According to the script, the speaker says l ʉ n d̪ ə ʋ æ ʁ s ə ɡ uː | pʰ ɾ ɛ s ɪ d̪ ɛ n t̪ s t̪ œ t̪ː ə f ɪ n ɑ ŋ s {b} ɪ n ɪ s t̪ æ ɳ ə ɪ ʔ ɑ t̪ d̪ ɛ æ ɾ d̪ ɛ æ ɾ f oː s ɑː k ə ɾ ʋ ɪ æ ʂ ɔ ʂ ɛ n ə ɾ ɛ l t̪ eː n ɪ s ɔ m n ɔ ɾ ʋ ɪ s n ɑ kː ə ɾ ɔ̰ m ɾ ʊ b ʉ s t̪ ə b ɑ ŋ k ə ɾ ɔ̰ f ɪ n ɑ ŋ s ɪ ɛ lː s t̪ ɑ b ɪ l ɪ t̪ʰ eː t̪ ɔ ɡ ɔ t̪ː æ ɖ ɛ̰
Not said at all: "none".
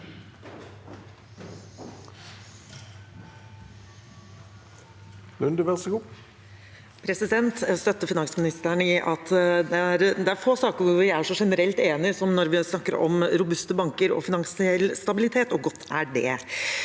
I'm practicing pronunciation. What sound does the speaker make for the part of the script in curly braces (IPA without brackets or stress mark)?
m